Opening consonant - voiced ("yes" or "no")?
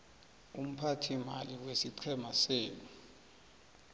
yes